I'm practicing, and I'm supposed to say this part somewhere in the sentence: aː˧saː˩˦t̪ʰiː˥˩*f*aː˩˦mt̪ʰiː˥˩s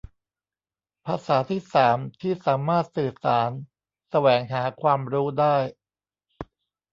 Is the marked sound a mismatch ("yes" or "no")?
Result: yes